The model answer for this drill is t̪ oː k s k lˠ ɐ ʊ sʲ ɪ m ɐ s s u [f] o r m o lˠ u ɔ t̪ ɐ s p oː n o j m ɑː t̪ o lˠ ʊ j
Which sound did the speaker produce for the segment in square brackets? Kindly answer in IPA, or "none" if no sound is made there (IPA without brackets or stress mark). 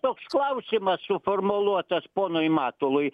f